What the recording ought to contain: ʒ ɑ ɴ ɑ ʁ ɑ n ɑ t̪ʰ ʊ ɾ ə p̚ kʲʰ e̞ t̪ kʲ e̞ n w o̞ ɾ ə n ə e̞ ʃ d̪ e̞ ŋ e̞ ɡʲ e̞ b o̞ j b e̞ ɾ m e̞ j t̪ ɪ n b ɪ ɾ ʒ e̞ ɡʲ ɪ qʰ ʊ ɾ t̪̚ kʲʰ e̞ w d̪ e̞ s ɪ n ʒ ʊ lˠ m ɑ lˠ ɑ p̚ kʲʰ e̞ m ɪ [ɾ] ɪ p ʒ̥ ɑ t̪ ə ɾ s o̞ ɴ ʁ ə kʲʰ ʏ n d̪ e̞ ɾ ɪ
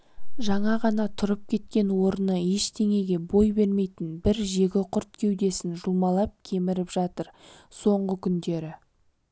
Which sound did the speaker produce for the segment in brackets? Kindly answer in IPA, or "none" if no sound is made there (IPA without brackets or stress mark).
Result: ɾ